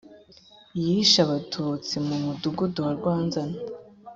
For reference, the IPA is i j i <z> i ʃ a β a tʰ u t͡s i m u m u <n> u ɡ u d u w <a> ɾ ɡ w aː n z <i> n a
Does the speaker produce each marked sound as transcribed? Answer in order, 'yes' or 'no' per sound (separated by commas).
no, no, yes, no